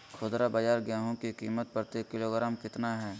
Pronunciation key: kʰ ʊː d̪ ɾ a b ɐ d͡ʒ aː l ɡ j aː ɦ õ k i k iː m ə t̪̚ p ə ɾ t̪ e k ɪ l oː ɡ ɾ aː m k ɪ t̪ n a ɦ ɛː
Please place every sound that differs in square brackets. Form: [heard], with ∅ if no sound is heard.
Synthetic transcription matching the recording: kʰ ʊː d̪ ɾ a b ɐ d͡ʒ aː [ɾ] ɡ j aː ɦ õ k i k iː m ə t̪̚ p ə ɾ t̪ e k ɪ l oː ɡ ɾ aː m k ɪ t̪ n a ɦ ɛː